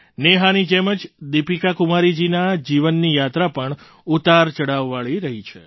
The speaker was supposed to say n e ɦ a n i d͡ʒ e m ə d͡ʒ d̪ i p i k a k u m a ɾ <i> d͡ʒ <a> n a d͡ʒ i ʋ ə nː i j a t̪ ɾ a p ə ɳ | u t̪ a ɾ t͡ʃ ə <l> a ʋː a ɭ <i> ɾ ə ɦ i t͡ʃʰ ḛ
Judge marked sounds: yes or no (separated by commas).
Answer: yes, no, no, yes